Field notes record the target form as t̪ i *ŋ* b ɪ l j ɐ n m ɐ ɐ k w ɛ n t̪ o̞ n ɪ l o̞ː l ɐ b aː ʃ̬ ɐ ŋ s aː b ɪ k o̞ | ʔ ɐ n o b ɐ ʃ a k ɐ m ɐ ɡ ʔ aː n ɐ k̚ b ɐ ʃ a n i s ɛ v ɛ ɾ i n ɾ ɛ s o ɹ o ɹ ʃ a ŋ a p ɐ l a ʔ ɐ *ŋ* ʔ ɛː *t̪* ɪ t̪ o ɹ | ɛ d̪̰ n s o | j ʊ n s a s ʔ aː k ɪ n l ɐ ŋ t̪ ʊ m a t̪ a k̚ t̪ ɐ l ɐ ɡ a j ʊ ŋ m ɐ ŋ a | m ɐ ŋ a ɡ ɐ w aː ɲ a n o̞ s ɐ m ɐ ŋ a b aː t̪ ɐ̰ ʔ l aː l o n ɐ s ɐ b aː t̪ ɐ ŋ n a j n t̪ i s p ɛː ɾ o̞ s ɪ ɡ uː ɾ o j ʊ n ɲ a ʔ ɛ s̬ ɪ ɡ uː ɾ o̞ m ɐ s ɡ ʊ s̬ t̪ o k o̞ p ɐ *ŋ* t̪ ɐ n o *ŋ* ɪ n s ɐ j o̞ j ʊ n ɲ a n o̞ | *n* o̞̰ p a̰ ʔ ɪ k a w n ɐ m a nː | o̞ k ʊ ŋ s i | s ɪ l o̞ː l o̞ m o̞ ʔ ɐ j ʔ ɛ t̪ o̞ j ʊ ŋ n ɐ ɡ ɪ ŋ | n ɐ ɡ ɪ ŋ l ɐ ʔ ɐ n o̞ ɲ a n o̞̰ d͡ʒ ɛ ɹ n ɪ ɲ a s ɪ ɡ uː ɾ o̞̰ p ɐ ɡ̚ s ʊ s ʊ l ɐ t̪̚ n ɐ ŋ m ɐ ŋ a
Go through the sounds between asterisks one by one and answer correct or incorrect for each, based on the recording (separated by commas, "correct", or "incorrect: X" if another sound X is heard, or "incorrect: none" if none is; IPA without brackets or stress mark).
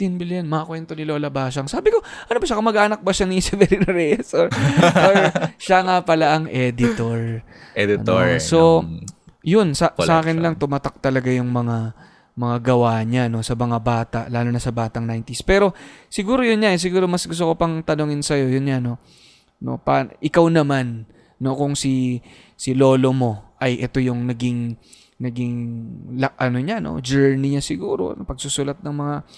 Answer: incorrect: n, correct, incorrect: d̪, correct, correct, correct